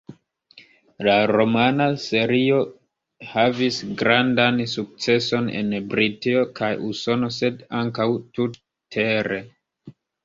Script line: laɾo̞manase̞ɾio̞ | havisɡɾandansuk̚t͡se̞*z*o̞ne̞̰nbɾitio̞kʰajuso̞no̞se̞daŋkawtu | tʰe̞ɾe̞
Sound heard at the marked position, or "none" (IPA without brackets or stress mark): s